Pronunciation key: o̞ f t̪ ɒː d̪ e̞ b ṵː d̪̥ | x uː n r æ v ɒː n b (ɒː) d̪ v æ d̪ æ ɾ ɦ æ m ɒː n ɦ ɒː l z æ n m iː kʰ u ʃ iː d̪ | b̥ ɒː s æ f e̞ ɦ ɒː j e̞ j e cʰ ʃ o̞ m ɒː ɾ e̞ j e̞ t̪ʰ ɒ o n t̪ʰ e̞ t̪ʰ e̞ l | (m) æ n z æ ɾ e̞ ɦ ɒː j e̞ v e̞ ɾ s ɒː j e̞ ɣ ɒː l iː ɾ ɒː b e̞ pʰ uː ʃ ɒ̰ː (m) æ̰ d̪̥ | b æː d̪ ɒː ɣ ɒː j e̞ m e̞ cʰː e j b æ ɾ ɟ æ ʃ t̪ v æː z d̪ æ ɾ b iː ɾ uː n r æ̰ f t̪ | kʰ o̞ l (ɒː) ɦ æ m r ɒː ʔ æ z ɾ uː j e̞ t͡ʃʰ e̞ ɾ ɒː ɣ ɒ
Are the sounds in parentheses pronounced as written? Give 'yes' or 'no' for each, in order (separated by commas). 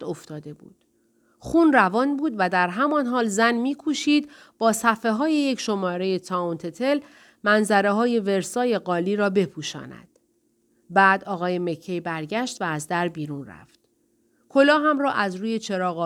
no, yes, no, yes